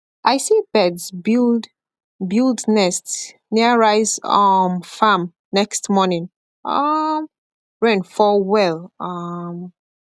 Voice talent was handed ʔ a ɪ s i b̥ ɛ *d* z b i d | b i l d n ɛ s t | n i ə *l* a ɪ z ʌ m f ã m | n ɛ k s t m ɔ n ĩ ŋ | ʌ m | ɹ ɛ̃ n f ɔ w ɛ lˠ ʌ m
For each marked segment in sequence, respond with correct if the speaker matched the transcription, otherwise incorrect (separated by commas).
correct, incorrect